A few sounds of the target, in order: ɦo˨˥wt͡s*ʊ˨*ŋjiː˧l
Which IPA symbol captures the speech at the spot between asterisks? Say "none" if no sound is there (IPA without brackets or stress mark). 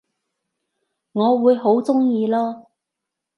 ʊ˥